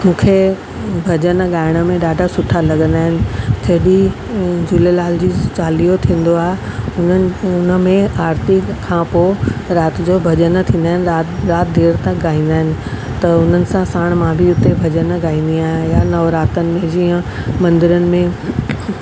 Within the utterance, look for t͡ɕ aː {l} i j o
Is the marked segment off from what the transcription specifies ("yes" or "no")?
no